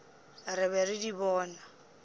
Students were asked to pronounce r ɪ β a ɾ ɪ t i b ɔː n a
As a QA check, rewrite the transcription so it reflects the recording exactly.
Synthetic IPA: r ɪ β ɛ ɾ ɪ d i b ɔː n a